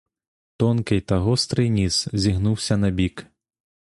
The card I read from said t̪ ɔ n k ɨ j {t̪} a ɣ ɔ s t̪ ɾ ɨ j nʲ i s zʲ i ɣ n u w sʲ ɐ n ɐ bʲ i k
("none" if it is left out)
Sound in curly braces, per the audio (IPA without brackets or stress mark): t̪